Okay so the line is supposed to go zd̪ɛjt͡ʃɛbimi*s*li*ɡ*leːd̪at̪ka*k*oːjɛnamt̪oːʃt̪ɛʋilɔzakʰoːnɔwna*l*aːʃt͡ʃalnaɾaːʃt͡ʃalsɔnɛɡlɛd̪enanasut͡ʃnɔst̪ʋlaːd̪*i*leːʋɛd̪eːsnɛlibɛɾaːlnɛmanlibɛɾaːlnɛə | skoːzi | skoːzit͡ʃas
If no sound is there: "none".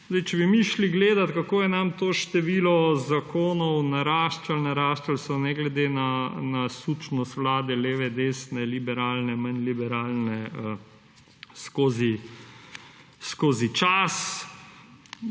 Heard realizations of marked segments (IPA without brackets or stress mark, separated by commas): ʃ, ɡ, k, ɾ, ɛ